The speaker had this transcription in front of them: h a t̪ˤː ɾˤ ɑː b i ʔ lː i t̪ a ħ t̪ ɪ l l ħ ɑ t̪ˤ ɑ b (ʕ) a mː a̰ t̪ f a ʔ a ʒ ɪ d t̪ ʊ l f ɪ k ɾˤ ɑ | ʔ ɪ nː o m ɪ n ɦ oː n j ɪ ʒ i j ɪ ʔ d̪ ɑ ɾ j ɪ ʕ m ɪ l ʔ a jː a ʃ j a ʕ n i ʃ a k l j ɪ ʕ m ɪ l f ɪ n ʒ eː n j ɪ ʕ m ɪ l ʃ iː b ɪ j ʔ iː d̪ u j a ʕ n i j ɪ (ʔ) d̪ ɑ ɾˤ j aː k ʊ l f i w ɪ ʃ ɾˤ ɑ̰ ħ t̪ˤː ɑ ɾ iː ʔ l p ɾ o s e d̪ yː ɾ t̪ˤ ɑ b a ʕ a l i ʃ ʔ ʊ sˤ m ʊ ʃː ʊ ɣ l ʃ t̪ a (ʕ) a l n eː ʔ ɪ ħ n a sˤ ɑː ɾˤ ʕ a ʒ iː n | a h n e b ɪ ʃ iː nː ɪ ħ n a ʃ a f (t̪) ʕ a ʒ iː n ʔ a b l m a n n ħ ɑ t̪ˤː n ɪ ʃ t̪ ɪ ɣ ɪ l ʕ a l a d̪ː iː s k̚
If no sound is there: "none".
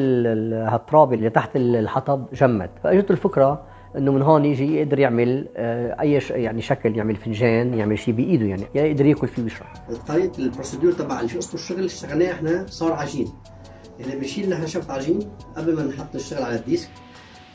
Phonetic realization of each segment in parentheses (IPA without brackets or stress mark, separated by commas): ʒ, ʔ, ɣ, t̪